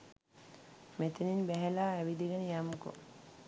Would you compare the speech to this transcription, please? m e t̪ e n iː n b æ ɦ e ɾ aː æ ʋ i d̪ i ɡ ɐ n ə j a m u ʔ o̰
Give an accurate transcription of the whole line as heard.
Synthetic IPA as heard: m e t̪ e n i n b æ ɦ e l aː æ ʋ i d̪ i ɡ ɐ n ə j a m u k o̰